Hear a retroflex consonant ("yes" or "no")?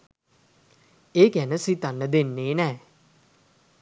no